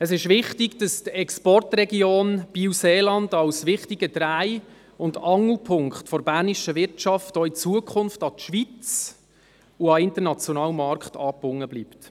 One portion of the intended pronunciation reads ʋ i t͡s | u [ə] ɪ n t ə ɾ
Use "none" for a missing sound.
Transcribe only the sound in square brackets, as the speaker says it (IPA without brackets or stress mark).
ɑ